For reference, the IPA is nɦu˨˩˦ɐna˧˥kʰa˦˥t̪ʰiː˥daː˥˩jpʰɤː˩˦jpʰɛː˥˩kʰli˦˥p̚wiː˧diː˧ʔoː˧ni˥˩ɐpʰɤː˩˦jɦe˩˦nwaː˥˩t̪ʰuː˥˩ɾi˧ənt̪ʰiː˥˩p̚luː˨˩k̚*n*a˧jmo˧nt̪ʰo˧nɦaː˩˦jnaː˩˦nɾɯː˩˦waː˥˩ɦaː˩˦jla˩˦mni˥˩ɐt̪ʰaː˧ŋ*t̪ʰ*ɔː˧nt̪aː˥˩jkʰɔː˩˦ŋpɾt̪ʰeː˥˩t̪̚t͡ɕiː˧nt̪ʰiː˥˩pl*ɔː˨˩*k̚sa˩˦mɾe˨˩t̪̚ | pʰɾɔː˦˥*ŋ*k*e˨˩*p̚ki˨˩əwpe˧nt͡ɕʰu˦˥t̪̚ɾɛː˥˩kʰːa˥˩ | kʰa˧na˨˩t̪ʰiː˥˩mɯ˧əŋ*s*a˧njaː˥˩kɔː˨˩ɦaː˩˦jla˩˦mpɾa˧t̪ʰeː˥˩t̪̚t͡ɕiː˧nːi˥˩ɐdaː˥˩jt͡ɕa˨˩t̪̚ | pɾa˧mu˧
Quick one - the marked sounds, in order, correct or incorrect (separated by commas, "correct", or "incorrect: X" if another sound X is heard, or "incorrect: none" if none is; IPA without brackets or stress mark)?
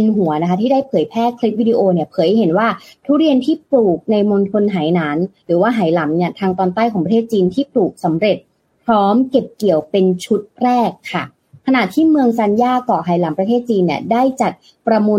correct, incorrect: t̪, incorrect: uː˨˩, incorrect: m, correct, correct